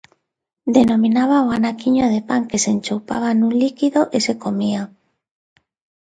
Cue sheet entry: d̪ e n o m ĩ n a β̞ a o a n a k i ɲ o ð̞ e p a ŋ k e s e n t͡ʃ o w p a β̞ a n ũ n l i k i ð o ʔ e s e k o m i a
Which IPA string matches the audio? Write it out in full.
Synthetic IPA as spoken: d̪ e n o m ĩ n a β̞ a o a n a k i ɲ o ð̞ e p a ŋ k e s e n t͡ʃ o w p a β̞ a n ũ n l i k i ð o ʔ e s e k o m i a